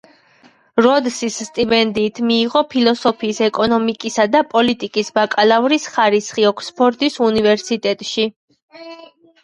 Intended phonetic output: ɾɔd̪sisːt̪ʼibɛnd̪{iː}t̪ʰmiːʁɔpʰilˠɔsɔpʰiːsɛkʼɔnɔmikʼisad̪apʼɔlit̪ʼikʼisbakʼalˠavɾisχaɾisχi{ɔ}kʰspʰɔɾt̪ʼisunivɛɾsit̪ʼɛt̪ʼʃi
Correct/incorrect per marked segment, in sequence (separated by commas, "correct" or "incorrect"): correct, correct